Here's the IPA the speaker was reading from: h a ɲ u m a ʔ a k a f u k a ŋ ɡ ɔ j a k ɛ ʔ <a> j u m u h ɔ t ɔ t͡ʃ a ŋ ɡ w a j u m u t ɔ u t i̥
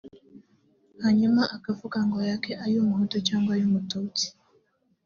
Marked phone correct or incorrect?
correct